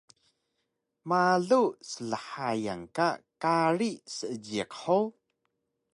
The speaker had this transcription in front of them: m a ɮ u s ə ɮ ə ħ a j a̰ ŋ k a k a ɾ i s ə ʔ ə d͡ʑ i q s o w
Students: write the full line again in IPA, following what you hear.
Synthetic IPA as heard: m a ɮ u s ə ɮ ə ħ a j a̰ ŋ k a k a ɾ i s ə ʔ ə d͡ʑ i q ħ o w